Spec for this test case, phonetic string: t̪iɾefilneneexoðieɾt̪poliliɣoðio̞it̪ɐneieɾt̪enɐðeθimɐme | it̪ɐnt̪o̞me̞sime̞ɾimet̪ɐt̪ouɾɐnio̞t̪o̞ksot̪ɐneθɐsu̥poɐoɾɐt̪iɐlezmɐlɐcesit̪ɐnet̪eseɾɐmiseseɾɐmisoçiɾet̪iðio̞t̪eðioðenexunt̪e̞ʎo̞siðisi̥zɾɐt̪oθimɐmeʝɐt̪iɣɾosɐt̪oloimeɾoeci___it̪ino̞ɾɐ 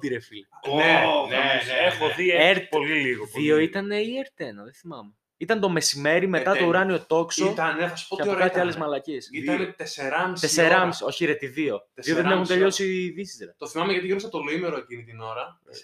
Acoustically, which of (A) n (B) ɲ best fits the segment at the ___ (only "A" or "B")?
A